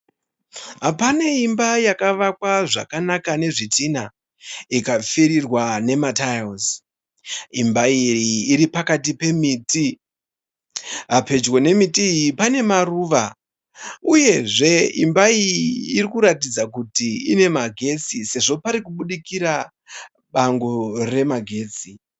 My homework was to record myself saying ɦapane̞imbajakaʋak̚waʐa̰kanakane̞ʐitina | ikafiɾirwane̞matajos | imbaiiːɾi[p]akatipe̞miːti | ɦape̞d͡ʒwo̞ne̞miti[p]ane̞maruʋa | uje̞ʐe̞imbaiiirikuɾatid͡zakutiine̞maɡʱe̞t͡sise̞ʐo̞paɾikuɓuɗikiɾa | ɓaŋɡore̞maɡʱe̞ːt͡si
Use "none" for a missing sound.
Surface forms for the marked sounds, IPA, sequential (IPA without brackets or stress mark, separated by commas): p, p